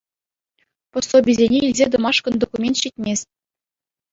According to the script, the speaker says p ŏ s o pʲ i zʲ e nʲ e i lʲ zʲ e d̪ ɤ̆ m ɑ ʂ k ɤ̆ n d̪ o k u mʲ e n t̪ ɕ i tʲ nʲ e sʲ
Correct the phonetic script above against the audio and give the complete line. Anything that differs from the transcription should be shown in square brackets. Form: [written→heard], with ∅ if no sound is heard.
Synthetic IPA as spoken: p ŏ s o [pʲ→bʲ] i zʲ e nʲ e i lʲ zʲ e d̪ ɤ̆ m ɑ ʂ k ɤ̆ n d̪ o k u mʲ e n t̪ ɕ i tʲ [nʲ→mʲ] e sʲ